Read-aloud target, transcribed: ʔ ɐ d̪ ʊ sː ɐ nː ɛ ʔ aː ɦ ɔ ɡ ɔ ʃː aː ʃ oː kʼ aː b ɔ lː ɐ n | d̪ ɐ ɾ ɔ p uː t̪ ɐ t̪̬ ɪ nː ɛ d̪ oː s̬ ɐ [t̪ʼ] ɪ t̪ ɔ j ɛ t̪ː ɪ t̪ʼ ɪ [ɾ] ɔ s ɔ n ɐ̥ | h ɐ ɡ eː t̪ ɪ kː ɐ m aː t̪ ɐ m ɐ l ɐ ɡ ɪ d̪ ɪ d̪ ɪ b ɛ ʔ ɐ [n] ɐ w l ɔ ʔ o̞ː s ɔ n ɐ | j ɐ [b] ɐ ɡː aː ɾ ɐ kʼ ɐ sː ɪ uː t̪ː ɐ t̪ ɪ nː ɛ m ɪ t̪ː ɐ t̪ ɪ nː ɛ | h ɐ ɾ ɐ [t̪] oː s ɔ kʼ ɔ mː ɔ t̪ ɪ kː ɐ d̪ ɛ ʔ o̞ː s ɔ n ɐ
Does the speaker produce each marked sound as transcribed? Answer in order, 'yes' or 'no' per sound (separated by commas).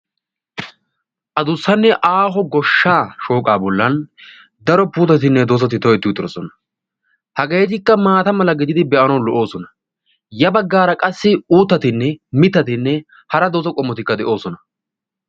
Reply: no, yes, yes, yes, no